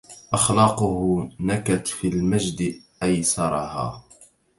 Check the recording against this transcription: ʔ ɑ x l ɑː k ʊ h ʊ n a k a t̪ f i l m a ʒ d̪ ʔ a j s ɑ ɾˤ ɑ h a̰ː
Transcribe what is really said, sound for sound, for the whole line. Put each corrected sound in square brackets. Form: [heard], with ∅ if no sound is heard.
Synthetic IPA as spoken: ʔ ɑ x l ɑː [q] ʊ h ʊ n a k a t̪ f i l m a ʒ d̪ ʔ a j s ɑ ɾˤ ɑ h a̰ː